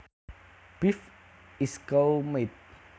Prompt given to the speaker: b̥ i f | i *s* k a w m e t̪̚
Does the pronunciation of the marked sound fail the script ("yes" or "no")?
no